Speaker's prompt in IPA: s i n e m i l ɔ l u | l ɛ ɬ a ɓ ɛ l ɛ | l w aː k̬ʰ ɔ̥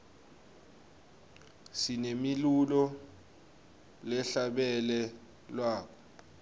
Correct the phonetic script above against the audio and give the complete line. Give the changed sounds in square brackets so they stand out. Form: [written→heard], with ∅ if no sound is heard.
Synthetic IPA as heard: s i n e m i l [ɔ→u] l [u→ɔ] | l ɛ ɬ a ɓ ɛ l ɛ | l w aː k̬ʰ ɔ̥